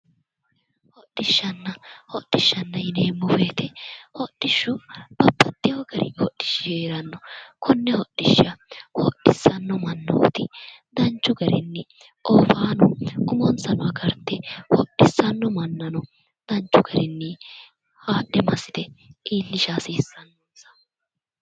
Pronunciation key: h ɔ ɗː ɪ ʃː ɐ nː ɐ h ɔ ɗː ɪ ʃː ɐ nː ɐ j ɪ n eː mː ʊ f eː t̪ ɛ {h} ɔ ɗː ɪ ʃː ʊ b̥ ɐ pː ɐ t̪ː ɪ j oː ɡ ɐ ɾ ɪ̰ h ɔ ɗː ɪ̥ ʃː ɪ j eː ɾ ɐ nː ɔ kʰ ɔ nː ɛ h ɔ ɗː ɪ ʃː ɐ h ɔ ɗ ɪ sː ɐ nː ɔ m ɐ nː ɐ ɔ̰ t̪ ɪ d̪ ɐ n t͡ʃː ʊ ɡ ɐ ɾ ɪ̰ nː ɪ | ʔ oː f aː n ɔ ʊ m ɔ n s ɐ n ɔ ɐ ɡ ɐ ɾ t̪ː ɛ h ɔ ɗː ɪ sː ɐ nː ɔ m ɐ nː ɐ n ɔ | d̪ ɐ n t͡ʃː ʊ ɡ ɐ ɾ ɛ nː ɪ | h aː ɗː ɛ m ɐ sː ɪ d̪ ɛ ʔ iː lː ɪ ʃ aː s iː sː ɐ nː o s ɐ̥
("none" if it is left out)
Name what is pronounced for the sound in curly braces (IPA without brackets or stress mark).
h